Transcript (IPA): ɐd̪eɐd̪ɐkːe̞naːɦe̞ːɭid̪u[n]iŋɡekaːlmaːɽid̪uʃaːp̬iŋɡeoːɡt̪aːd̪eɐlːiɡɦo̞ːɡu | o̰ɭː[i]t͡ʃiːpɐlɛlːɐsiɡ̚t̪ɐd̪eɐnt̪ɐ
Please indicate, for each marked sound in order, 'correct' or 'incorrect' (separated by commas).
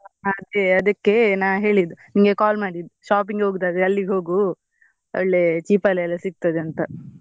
correct, incorrect